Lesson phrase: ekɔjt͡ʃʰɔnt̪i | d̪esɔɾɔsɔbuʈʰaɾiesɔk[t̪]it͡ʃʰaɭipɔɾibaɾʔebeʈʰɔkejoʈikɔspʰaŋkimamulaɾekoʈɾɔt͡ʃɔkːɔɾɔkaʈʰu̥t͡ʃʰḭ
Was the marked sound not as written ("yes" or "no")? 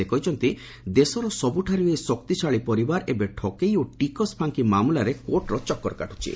no